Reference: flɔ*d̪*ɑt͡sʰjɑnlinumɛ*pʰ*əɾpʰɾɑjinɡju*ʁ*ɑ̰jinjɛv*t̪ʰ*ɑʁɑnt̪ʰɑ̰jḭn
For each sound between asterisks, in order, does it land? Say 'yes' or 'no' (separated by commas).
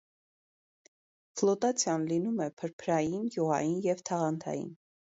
no, yes, yes, yes